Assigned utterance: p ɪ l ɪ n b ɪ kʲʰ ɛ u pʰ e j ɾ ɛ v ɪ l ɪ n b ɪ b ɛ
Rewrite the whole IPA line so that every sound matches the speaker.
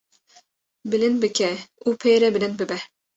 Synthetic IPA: b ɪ l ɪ n b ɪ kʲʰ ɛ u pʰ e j ɾ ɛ b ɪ l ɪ n b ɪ b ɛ